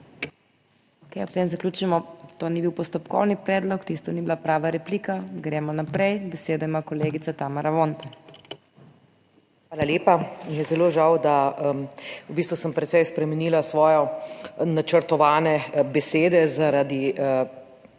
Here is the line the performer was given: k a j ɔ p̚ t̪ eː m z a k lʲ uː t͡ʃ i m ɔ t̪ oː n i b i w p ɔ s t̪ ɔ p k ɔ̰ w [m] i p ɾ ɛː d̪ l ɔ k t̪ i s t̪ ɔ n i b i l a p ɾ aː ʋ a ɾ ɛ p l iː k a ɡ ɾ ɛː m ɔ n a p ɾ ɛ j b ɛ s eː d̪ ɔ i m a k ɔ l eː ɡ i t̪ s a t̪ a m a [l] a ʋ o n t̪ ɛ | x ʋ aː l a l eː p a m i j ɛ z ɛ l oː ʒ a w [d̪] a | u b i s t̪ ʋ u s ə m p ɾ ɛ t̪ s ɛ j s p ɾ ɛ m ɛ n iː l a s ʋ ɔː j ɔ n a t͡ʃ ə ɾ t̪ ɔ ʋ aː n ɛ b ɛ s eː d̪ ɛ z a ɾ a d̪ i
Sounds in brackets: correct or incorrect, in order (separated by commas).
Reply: incorrect, incorrect, correct